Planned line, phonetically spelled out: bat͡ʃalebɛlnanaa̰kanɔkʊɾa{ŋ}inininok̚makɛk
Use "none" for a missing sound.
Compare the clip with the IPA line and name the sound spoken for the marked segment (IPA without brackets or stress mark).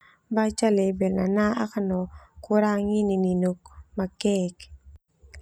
ŋ